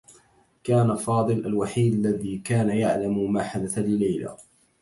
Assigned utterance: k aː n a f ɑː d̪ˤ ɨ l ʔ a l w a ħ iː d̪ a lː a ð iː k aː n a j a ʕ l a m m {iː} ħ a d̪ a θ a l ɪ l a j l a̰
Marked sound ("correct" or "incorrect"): incorrect